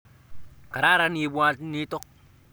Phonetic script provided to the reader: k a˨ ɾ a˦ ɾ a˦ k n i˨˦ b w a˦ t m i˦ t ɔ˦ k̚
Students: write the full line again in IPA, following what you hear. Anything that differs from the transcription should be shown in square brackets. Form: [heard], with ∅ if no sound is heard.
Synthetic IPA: k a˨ ɾ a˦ ɾ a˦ [∅] n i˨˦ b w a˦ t [n] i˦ t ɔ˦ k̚